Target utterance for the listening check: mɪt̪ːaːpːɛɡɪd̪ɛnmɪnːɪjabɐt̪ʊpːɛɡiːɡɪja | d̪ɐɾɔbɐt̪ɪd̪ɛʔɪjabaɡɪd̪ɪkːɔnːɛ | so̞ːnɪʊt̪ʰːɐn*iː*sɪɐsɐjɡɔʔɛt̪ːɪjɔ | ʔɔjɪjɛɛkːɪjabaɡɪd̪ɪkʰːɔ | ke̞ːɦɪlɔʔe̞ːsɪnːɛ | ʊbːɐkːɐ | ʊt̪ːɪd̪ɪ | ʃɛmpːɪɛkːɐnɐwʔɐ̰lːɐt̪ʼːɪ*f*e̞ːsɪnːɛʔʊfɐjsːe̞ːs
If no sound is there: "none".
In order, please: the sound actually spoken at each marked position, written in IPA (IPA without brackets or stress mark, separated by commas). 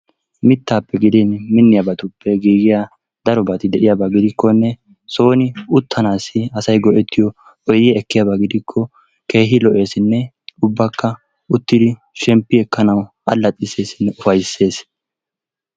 aː, s